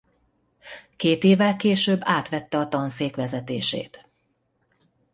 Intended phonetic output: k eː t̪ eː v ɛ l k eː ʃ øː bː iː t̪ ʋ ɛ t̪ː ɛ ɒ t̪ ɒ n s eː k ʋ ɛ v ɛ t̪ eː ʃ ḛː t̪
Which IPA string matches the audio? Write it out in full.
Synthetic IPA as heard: k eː t̪ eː v ɛ l k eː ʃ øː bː aː t̪ ʋ ɛ t̪ː ɛ ɒ t̪ ɒ n s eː k ʋ ɛ z ɛ t̪ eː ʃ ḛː t̪

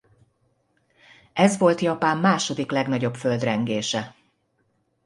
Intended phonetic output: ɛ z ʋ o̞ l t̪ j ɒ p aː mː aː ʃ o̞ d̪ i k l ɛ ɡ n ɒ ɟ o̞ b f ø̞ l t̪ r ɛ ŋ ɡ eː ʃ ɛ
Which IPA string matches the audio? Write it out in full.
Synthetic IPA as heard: ɛ z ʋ o̞ l t̪ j ɒ p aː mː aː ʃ o̞ d̪ i k l ɛ ɡ n ɒ ɟ o̞ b f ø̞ l d̪ r ɛ ŋ ɡ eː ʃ ɛ

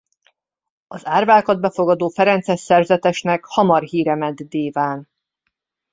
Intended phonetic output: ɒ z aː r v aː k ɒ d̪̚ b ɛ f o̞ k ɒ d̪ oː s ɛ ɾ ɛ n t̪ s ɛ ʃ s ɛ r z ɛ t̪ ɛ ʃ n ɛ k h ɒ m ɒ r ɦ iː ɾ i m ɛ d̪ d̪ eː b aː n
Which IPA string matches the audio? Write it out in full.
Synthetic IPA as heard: ɒ z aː r v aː k ɒ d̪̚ b ɛ f o̞ ɡ ɒ d̪ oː f ɛ ɾ ɛ n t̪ s ɛ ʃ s ɛ r z ɛ t̪ ɛ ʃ n ɛ k h ɒ m ɒ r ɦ iː ɾ ɛ m ɛ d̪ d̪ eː v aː n

